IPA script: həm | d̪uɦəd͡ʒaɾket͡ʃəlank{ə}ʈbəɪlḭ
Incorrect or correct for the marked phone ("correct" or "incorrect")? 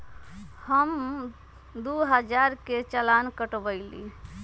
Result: correct